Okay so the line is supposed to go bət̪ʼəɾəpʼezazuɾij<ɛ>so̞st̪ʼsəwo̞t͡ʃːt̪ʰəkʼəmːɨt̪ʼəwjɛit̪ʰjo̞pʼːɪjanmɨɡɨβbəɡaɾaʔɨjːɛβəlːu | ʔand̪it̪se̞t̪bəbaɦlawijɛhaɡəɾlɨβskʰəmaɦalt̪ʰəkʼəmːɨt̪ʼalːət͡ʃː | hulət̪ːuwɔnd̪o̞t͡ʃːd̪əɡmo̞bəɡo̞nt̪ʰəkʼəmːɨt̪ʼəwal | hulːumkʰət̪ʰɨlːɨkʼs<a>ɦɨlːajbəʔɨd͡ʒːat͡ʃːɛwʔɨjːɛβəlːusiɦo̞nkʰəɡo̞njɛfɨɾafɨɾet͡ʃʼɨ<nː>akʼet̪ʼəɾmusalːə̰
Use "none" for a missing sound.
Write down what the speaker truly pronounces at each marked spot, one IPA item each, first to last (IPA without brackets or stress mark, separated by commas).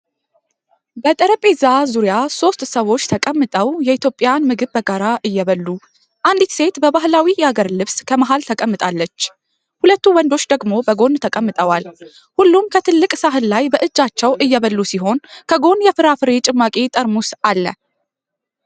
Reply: a, a, mː